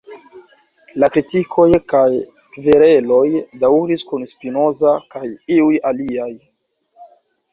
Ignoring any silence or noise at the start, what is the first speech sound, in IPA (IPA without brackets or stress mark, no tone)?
l